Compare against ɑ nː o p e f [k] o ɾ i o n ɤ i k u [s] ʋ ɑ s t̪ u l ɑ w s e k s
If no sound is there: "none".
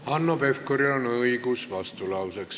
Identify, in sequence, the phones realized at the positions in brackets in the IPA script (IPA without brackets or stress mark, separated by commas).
k, s